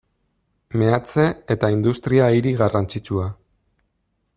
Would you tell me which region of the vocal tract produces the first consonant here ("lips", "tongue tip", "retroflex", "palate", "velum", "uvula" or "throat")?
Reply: lips